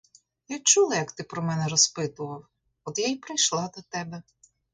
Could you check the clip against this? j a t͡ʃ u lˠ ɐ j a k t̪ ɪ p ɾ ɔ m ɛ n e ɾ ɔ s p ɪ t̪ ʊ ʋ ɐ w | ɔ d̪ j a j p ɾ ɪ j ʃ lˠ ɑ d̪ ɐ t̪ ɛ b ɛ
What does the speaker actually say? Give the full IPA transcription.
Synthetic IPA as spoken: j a t͡ʃ u lˠ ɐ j ɐ k t̪ ɪ p ɾ ɔ m ɛ n ɛ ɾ ɔ s p ɪ t̪ ʊ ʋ ɐ w | ɔ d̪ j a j p ɾ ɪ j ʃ lˠ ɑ d̪ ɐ t̪ ɛ b ɛ